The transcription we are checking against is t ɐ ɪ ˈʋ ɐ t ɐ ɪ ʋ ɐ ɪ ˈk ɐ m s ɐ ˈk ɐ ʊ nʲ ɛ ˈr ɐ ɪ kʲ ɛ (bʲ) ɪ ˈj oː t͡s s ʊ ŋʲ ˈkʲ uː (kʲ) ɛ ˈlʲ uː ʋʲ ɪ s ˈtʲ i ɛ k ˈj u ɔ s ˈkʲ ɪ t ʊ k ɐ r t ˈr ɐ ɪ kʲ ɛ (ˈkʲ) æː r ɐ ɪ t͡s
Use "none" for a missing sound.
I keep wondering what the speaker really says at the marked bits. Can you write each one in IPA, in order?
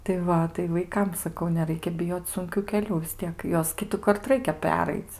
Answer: bʲ, kʲ, pʲ

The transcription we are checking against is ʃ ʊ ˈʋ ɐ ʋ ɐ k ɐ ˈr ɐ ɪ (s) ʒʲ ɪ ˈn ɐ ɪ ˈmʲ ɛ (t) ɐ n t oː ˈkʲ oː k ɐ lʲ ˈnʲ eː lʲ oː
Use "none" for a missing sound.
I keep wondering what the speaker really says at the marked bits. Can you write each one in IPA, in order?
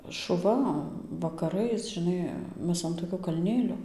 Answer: s, s

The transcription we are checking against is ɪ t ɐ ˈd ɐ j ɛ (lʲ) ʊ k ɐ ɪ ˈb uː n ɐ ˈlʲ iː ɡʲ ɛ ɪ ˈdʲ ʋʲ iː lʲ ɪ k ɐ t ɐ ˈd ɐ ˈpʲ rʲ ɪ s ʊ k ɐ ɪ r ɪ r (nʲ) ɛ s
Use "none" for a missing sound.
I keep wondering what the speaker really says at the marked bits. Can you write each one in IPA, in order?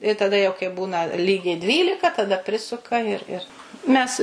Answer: none, mʲ

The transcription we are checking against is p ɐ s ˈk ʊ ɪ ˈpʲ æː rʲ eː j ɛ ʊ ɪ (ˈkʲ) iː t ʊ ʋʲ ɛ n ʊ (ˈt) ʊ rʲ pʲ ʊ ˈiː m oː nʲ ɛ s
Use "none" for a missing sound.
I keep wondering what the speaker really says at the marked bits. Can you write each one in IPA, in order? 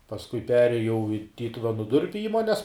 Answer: tʲ, d

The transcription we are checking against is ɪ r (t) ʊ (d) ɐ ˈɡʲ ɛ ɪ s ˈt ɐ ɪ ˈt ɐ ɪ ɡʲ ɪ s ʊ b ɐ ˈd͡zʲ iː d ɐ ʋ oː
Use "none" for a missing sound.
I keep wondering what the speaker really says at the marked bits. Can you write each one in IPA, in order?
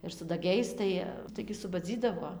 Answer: s, d

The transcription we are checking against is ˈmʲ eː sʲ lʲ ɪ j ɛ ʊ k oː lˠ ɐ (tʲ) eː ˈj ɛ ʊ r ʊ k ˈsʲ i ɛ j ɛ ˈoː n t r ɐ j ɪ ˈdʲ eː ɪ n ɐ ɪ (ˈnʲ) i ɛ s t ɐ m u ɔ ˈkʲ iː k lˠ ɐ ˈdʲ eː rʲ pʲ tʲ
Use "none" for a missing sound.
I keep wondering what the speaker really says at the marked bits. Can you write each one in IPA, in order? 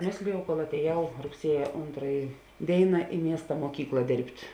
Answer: tʲ, mʲ

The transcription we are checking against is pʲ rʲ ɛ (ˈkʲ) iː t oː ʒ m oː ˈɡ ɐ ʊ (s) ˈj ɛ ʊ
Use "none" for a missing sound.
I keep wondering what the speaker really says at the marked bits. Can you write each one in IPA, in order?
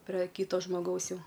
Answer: kʲ, s

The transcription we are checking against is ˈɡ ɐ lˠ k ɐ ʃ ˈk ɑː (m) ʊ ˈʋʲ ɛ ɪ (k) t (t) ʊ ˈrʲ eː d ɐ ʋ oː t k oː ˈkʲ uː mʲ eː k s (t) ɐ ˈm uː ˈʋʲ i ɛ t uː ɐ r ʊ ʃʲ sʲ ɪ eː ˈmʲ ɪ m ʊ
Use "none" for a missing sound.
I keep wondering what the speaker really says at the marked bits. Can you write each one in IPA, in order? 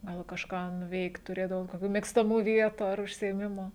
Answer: n, k, t, t

